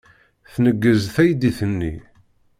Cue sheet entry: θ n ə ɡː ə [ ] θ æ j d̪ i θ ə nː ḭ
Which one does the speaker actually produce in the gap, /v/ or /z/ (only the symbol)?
z